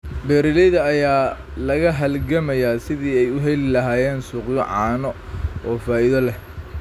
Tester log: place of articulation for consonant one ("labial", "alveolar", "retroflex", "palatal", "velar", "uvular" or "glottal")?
labial